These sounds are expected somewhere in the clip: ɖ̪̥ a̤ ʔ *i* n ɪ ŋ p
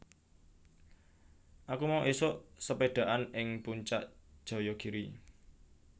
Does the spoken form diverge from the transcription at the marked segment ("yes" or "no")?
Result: yes